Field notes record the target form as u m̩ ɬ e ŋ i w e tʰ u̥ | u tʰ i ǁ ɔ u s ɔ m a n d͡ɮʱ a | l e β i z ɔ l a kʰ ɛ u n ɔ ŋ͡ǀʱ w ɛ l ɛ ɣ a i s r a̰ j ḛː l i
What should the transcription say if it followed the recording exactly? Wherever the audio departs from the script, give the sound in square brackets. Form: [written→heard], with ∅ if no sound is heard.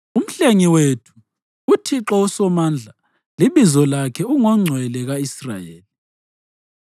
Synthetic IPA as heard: u m̩ ɬ e ŋ i w e tʰ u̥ | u tʰ i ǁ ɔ u s ɔ m a n d͡ɮʱ a | l [e→i] β i z ɔ l a kʰ ɛ u [n→ŋ] ɔ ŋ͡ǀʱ w ɛ l ɛ ɣ a i s r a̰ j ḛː l i